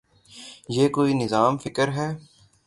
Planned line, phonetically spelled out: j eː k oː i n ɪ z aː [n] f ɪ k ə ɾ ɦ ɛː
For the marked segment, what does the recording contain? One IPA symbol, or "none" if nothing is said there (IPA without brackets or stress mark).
m